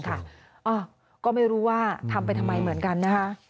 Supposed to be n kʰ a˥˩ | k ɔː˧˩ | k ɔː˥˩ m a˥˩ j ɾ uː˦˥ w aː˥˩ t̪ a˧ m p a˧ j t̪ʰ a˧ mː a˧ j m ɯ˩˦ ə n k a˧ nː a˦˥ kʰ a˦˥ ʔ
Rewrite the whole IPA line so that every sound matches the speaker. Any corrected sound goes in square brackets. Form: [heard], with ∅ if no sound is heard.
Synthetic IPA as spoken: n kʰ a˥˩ | [ʔ] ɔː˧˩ | k ɔː˥˩ m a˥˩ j ɾ uː˦˥ w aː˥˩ [t̪ʰ] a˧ m p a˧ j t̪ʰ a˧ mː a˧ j m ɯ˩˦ ə n k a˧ nː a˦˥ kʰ a˦˥ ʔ

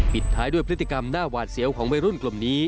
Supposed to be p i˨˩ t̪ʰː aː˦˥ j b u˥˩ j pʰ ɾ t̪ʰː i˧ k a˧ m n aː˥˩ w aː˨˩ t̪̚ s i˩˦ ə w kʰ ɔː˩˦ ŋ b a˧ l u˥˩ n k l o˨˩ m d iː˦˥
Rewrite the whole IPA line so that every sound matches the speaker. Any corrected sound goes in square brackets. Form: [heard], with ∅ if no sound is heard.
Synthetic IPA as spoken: p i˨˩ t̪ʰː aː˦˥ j [d] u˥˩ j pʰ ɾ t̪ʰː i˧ k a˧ m n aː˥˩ w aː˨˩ t̪̚ s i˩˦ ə w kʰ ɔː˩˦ ŋ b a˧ [ɾ] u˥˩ n k l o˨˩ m [n] iː˦˥

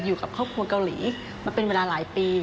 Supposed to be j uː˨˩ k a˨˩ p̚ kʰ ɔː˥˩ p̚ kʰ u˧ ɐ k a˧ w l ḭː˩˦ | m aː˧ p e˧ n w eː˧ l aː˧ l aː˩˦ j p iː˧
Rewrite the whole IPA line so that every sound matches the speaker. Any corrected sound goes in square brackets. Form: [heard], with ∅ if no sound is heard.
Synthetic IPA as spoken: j uː˨˩ k a˨˩ p̚ kʰ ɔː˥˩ p̚ kʰ u˧ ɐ k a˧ w l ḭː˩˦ | m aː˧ p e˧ n w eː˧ l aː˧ l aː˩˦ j p iː˧

